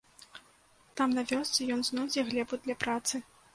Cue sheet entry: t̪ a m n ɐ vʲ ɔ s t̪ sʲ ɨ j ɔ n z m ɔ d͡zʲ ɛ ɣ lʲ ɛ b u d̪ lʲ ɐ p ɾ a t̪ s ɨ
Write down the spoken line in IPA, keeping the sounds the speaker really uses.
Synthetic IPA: t̪ a m n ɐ vʲ ɔ s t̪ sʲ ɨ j ɔ n z n ɔ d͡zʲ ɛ ɣ lʲ ɛ b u d̪ lʲ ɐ p ɾ a t̪ s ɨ